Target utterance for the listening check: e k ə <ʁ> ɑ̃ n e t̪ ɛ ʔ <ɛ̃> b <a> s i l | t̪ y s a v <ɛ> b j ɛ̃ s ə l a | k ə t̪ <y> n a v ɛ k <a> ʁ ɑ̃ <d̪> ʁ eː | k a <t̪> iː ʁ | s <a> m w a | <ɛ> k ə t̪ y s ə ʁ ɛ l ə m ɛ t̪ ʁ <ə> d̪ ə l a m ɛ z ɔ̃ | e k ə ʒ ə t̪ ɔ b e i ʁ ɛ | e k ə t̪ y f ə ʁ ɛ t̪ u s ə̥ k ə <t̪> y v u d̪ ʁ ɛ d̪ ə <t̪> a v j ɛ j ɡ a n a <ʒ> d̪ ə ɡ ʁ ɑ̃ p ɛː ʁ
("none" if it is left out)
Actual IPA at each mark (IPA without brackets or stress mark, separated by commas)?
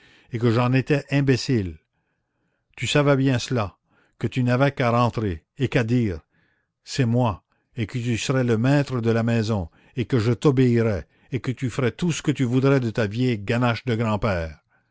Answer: ʒ, ɛ̃, e, ɛ, y, a, t̪, d̪, ɛ, e, ə, t̪, t̪, ʃ